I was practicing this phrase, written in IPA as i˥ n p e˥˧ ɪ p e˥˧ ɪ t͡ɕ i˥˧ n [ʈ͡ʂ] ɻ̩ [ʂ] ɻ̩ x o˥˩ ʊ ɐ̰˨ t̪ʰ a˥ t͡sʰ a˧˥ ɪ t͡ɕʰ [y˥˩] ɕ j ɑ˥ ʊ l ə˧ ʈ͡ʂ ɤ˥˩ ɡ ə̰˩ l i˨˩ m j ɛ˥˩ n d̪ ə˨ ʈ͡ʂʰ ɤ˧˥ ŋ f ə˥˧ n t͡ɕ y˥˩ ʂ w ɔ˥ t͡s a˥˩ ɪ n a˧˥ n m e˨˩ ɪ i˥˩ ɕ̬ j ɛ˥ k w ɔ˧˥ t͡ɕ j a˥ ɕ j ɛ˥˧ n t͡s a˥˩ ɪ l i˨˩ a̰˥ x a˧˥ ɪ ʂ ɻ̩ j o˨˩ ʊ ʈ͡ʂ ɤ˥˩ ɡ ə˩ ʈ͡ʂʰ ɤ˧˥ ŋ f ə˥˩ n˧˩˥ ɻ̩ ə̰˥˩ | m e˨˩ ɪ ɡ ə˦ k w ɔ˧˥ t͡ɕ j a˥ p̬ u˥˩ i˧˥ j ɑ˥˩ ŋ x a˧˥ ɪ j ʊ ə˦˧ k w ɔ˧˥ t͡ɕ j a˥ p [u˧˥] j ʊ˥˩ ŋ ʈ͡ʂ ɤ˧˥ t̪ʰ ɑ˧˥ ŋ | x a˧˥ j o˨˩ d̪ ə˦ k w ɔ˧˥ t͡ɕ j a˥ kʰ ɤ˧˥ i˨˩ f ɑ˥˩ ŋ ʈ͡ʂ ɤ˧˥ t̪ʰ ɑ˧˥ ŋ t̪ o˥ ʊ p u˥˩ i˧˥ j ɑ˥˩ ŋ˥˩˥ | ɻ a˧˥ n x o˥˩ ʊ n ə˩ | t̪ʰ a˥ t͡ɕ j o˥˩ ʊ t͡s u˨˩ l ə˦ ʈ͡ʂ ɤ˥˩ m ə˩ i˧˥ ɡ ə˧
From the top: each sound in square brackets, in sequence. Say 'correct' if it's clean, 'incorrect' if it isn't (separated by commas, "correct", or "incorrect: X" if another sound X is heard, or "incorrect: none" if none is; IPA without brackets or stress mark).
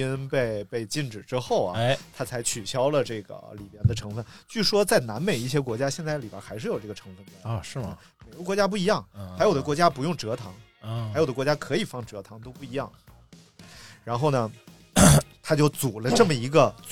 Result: correct, incorrect: ʈ͡ʂ, incorrect: y˨˩, correct